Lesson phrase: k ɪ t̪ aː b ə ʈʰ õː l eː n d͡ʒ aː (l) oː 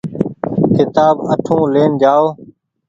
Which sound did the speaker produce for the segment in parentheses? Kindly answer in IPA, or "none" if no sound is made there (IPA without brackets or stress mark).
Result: none